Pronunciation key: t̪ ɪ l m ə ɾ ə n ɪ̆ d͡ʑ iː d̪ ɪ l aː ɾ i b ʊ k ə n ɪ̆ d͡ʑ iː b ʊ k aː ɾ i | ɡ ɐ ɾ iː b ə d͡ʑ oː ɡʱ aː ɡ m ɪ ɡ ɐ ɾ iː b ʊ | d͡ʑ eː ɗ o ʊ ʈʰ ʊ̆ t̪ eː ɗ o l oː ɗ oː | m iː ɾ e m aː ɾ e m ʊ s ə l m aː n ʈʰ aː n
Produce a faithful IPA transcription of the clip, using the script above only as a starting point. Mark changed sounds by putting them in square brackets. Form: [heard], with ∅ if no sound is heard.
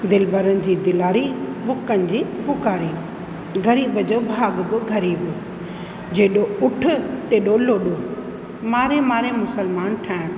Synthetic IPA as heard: [d̪] ɪ l [b] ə ɾ ə n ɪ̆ d͡ʑ iː d̪ ɪ l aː ɾ i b ʊ k ə n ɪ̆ d͡ʑ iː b ʊ k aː ɾ i | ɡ ɐ ɾ iː b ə d͡ʑ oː [bʱ] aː ɡ [b] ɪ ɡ ɐ ɾ iː b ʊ | d͡ʑ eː ɗ o ʊ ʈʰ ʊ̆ t̪ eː ɗ o l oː ɗ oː | m [aː] ɾ e m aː ɾ e m ʊ s ə l m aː n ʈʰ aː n